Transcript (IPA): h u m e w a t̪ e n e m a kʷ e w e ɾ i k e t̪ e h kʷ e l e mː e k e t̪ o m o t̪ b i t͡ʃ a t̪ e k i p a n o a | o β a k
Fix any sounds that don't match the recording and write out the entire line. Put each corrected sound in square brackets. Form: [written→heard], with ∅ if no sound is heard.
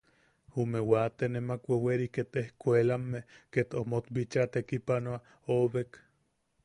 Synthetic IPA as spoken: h u m e w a t̪ e n e m a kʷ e w e ɾ i k e t̪ e h kʷ e l [e→a] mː e k e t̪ o m o t̪ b i t͡ʃ a t̪ e k i p a n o a | o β [a→e] k